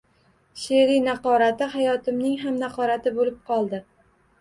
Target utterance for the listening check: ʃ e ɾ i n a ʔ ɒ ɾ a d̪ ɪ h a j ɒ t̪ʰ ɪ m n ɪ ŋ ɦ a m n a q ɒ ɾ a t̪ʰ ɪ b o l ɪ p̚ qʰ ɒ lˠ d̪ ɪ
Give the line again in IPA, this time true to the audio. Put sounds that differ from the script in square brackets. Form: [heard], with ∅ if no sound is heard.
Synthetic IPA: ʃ e ɾ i n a [q] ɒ ɾ a [t̪] ɪ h a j ɒ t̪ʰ ɪ m n ɪ ŋ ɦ a m n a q ɒ ɾ a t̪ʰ ɪ b o l ɪ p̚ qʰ ɒ lˠ d̪ ɪ